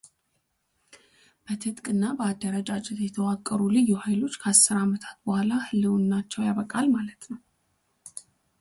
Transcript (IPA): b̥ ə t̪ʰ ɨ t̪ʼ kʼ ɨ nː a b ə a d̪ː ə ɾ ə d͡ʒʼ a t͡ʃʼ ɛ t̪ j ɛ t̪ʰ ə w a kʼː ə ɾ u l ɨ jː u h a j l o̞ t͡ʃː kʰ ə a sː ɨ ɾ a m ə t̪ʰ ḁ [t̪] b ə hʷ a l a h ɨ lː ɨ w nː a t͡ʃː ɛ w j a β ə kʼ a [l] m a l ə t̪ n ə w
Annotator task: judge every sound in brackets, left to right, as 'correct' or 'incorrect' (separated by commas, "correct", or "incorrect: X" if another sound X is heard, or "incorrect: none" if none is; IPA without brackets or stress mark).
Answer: correct, correct